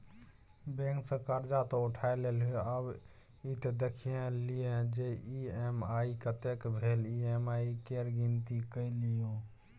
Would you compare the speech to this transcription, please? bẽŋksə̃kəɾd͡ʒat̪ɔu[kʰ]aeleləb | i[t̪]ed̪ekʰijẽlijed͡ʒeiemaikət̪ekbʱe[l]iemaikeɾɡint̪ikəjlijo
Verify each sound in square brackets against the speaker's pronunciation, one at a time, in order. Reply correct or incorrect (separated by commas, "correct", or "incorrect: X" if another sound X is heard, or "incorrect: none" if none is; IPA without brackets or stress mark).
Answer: incorrect: ʈʰ, correct, correct